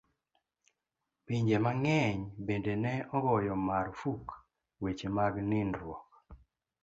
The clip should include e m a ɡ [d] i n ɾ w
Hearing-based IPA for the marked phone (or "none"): n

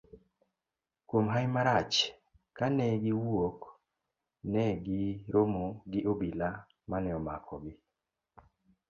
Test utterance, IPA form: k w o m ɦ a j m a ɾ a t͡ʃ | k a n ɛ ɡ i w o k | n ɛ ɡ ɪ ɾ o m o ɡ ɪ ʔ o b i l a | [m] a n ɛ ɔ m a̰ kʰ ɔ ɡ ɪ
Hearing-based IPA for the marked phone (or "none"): m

